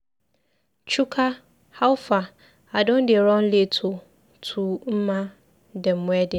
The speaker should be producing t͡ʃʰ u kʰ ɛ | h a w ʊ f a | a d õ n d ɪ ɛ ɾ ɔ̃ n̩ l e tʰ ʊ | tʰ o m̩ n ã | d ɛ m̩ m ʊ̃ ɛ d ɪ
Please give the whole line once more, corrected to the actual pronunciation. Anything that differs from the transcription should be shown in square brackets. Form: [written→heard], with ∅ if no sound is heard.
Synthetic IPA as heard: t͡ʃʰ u kʰ [ɛ→a] | h a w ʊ f a | a d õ n d ɪ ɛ ɾ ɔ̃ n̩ l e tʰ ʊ | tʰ [o→u] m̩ [n→m] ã | d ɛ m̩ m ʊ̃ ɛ d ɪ